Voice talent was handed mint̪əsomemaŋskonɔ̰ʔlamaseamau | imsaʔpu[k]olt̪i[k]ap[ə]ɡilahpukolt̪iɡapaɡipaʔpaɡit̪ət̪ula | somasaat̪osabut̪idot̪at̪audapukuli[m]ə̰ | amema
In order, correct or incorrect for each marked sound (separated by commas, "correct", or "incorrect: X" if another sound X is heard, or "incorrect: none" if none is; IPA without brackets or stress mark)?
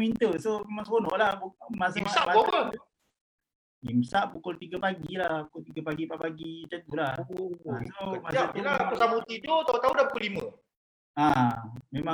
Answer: correct, incorrect: ɡ, incorrect: a, correct